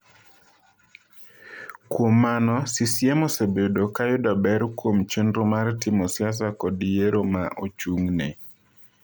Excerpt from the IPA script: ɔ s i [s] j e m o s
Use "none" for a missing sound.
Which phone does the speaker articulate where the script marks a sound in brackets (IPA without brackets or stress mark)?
s